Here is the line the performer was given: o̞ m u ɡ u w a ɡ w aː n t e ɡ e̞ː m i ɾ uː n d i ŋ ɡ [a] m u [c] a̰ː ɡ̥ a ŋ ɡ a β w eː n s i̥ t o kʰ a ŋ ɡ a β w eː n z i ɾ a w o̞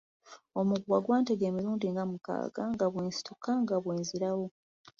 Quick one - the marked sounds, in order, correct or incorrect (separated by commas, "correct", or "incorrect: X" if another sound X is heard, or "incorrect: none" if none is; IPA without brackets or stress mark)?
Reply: correct, incorrect: k